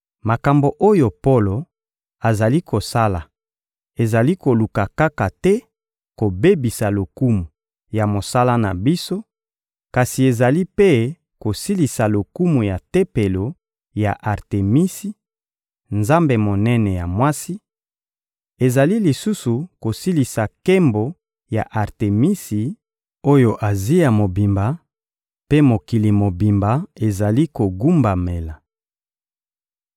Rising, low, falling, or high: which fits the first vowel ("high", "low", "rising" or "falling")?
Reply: low